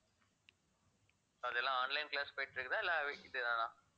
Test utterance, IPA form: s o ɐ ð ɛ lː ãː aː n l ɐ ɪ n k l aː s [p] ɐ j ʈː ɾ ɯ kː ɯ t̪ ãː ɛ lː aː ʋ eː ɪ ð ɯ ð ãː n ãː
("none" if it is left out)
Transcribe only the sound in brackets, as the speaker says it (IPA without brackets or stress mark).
p